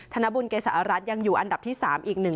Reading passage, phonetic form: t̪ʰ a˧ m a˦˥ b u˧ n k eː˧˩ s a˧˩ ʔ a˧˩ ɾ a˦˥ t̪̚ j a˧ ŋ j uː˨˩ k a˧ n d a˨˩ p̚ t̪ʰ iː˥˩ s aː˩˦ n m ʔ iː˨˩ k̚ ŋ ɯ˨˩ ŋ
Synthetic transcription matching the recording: t̪ʰ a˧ n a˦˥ b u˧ n k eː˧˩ s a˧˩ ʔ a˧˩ ɾ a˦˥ t̪̚ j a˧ ŋ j uː˨˩ ʔ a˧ n d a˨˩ p̚ t̪ʰ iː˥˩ s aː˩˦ m ʔ iː˨˩ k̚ n ɯ˨˩ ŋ